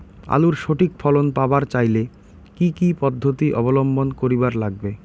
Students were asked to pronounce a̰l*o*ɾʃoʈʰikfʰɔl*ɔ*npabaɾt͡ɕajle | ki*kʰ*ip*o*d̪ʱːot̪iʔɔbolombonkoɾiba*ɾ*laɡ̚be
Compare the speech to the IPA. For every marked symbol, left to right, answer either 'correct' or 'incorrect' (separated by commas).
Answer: incorrect, incorrect, incorrect, incorrect, correct